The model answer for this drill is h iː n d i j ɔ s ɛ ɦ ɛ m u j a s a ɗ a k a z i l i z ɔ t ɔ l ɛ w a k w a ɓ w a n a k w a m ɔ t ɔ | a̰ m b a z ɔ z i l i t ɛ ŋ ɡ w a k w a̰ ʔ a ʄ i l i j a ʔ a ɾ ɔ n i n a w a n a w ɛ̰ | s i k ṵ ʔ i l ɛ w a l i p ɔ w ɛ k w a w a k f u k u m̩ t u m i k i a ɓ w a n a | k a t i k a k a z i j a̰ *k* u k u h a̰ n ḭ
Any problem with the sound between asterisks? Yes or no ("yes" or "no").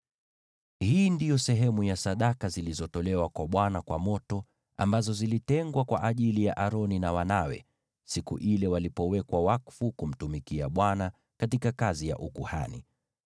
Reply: yes